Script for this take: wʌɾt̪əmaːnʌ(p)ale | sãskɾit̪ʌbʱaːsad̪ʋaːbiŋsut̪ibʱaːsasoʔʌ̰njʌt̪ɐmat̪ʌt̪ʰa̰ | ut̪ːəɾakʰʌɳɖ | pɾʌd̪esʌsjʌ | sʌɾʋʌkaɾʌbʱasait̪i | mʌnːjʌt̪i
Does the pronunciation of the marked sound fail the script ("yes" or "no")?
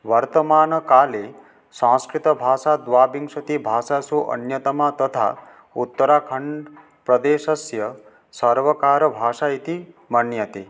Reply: yes